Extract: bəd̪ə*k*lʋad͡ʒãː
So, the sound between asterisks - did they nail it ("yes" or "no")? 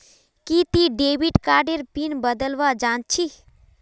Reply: no